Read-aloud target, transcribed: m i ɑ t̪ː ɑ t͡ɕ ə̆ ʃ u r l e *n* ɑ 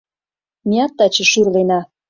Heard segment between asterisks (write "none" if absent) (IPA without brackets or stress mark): n